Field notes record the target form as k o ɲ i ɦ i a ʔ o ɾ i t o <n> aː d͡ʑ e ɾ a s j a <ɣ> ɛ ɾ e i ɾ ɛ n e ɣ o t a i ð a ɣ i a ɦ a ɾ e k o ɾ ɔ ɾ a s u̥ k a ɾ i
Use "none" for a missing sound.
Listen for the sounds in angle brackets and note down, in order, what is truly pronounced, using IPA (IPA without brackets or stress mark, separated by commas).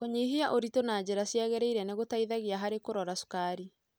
n, ɣ